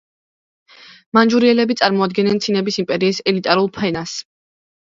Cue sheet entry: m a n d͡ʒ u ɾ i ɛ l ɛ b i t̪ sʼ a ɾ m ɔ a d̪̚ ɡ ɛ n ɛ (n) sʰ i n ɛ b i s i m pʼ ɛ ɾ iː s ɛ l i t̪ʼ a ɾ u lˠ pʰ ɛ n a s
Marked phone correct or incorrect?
correct